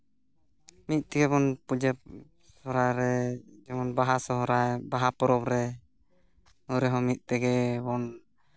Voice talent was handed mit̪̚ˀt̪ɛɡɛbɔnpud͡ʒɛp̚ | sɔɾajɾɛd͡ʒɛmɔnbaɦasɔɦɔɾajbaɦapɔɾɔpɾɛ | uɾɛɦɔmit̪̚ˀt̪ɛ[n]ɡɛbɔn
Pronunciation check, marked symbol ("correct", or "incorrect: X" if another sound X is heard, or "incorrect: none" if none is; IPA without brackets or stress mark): incorrect: none